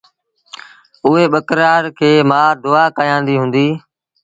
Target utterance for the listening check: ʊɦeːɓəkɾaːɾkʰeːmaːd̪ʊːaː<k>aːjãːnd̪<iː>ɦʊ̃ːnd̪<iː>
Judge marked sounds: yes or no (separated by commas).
yes, yes, yes